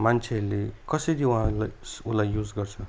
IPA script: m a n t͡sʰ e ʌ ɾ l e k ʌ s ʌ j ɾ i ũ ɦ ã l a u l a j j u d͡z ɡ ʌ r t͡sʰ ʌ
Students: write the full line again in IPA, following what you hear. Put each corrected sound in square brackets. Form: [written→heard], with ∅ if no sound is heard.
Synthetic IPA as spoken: m a n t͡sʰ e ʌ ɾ l e k ʌ s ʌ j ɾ i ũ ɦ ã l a u l a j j u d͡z ɡ ʌ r t͡sʰ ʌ